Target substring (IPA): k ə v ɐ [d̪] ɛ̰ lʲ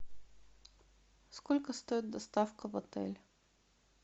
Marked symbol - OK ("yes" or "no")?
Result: no